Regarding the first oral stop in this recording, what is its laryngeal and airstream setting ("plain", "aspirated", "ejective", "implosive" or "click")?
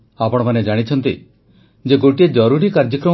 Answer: plain